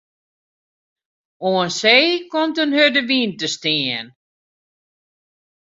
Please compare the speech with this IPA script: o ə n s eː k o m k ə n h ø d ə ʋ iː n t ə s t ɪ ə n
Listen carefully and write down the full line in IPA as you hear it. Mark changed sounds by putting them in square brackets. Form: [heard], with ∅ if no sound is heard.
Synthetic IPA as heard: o ə n s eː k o m [t] ə n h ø d ə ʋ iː n t ə s t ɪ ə n